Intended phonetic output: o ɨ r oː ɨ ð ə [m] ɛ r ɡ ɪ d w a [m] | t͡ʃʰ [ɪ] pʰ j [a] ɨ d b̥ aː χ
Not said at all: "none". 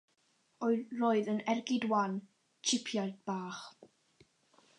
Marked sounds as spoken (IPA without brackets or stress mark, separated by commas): n, n, ɪ, a